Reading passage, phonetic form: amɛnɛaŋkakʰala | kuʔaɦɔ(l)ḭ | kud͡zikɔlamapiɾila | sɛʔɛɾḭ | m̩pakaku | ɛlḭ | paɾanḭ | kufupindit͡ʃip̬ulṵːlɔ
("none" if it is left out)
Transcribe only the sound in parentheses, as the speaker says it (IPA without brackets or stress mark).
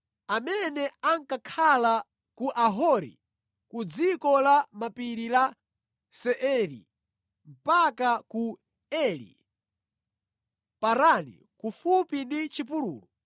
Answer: ɾ